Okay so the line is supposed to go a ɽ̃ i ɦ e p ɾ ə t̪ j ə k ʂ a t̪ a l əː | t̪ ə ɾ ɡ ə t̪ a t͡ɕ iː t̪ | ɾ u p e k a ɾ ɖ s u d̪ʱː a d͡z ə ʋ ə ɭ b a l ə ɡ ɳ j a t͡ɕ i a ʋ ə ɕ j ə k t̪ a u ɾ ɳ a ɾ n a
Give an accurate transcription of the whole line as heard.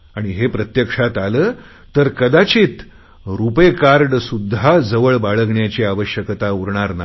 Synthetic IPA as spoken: a ɽ̃ i ɦ e p ɾ ə t̪ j ə k ʂ a t̪ a l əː | t̪ ə ɾ k ə d̪ a t͡ɕ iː t̪ | ɾ u p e k a ɾ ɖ s u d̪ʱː a d͡z ə ʋ ə ɭ b a ɭ ə ɡ ɳ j a t͡ɕ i a ʋ ə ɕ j ə k t̪ a u ɾ ɳ a ɾ n a